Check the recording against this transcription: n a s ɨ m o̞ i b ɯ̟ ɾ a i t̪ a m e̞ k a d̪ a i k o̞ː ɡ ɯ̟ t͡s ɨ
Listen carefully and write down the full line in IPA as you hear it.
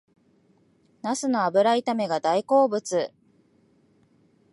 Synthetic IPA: n a s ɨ n o̞ a b ɯ̟ ɾ a i t̪ a m e̞ ɡ a d̪ a i k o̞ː b ɯ̟ t͡s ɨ